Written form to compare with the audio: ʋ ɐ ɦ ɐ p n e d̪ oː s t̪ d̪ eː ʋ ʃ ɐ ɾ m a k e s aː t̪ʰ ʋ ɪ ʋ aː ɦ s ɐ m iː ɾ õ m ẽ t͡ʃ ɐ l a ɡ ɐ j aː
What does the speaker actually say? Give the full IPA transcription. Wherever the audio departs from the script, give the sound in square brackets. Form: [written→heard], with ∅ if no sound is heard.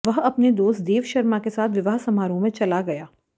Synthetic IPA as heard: ʋ ɐ ɦ ɐ p n e d̪ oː s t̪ d̪ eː ʋ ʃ ɐ ɾ m a k e s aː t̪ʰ ʋ ɪ ʋ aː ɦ s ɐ m [iː→aː] ɾ õ m ẽ t͡ʃ ɐ l a ɡ ɐ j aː